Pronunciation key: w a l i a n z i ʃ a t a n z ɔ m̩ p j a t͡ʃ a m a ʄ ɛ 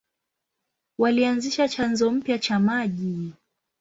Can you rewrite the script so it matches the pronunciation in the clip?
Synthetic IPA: w a l i a n z i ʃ a t͡ʃ a n z ɔ m̩ p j a t͡ʃ a m a ʄ i